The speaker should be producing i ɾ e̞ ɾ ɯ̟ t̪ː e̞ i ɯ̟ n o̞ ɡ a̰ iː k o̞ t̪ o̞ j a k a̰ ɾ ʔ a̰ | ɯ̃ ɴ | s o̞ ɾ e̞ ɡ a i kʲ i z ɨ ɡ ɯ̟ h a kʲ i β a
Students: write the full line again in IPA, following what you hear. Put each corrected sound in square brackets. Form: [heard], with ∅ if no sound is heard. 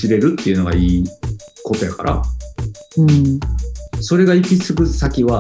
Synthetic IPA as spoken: i ɾ e̞ ɾ ɯ̟ t̪ː e̞ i ɯ̟ n o̞ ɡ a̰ iː k o̞ t̪ o̞ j a k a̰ ɾ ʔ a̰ | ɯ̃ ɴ | s o̞ ɾ e̞ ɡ a i kʲ i [s] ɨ ɡ ɯ̟ [s] a kʲ i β a